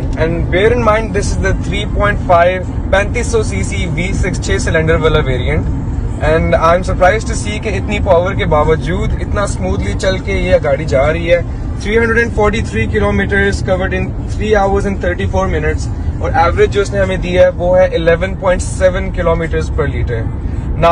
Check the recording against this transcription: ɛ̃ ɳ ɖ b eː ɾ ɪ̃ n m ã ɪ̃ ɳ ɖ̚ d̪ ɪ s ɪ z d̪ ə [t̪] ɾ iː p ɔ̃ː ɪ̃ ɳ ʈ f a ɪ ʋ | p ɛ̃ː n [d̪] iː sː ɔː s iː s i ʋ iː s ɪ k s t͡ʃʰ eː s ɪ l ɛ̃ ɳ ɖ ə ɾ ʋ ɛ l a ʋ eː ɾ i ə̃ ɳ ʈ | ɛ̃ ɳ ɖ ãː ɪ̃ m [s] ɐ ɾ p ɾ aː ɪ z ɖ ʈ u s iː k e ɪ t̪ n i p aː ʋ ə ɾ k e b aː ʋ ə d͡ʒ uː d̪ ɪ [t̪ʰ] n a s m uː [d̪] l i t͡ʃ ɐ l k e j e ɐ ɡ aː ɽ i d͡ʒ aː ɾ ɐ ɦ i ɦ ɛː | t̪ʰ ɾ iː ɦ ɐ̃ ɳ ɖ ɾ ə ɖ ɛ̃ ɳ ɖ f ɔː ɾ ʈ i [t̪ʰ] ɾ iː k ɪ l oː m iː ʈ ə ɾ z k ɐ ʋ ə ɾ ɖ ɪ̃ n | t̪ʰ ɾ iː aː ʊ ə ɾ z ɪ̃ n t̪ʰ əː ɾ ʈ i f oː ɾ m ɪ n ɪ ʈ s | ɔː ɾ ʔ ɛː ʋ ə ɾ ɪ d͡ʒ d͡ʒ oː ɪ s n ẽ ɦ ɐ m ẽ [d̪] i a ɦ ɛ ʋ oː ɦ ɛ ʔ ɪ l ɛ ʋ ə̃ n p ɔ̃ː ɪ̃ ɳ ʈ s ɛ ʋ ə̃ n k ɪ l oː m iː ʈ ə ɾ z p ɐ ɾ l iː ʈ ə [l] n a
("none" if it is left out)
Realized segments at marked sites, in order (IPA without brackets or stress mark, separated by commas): t̪ʰ, t̪, s, t̪, d̪, t̪ʰ, d̪, ɾ